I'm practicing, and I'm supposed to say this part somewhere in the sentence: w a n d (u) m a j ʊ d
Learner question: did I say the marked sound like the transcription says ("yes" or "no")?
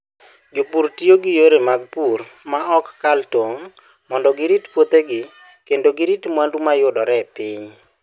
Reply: yes